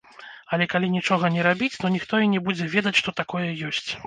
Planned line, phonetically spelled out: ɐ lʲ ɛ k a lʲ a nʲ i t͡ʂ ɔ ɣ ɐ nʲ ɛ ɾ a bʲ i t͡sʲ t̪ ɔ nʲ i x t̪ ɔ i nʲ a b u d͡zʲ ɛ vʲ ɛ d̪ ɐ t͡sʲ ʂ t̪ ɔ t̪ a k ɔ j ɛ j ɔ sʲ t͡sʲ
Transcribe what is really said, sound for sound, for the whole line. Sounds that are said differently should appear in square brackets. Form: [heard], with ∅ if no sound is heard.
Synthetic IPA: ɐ lʲ ɛ k a lʲ [i] nʲ i t͡ʂ ɔ ɣ ɐ nʲ ɛ ɾ a bʲ i t͡sʲ t̪ ɔ nʲ i x t̪ ɔ i nʲ [ɛ] b u d͡zʲ ɛ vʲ ɛ d̪ ɐ t͡sʲ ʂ t̪ ɔ t̪ a k ɔ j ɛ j ɔ sʲ t͡sʲ

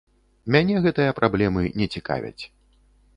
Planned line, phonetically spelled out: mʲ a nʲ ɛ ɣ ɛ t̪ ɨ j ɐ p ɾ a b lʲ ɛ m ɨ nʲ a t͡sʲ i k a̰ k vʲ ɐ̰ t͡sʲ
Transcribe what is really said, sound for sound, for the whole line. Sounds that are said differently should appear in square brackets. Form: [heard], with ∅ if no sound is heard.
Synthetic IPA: mʲ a nʲ ɛ ɣ ɛ t̪ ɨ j ɐ p ɾ a b lʲ ɛ m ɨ nʲ [ɛ] t͡sʲ i k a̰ [∅] vʲ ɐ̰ t͡sʲ

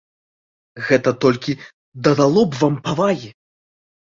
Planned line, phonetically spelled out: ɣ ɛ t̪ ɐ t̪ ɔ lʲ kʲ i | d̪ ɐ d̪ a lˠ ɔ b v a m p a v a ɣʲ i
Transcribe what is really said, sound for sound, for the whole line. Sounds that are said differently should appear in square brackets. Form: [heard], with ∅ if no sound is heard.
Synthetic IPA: ɣ ɛ t̪ ɐ t̪ ɔ lʲ kʲ i | d̪ ɐ d̪ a lˠ ɔ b v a m p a v a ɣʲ i

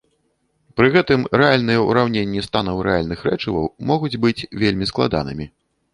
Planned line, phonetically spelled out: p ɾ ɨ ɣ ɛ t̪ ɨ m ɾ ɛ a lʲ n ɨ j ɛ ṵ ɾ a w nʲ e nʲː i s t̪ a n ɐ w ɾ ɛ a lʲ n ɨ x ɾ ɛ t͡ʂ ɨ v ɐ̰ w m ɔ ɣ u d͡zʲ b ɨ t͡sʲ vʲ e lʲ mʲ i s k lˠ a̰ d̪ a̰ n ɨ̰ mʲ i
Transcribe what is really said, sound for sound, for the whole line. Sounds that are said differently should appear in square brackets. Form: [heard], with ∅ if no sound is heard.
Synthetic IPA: p ɾ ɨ ɣ ɛ t̪ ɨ m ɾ ɛ a lʲ n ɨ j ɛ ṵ ɾ a w nʲ e nʲː i s t̪ a n ɐ w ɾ ɛ a lʲ n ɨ x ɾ ɛ t͡ʂ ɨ v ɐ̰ w m ɔ ɣ u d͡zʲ b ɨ t͡sʲ vʲ e lʲ mʲ i s k lˠ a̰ d̪ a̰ n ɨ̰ mʲ i

